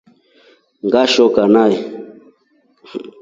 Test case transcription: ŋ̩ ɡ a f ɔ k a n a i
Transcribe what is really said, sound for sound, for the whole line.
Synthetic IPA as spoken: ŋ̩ ɡ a ʃ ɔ k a n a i